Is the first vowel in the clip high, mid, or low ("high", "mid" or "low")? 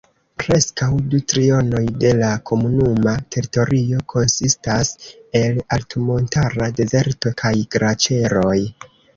mid